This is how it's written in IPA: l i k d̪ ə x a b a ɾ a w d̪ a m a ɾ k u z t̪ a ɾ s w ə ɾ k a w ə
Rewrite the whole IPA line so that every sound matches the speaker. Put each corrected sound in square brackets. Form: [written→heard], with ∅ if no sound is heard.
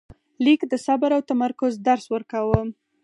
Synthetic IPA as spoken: l i k d̪ ə [x→s] a b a ɾ a w [d̪→t̪] a m a ɾ k [u→ʊ] z [t̪→d̪] a ɾ s w ə ɾ k a w ə

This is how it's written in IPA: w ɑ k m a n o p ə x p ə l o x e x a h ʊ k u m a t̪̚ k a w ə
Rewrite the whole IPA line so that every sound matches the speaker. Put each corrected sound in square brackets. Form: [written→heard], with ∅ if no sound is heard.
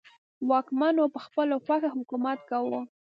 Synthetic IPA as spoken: w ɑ k m a n o p ə x p ə l o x [e→a] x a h ʊ k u m a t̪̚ k a w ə

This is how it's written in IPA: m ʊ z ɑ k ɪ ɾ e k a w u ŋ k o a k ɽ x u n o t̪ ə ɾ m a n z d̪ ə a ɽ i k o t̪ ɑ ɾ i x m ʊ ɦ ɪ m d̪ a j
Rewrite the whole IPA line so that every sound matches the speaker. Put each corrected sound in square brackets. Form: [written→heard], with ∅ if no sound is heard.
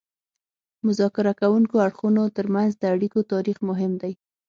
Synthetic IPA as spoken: m ʊ z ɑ k ɪ ɾ [e→a] k a w u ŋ k o a [k→∅] ɽ x u n o t̪ ə ɾ m a n z d̪ ə a ɽ i k o t̪ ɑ ɾ i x m ʊ ɦ ɪ m d̪ a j

